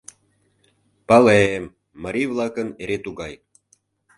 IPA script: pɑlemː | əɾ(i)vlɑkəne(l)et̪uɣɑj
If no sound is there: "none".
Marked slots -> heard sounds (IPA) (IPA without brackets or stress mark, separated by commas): i, ɾ